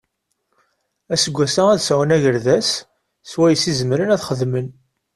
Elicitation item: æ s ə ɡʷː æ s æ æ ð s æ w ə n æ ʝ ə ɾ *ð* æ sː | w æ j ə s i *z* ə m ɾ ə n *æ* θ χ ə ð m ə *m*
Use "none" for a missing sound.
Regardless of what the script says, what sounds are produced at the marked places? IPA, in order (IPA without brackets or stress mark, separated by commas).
ð, z, æ, n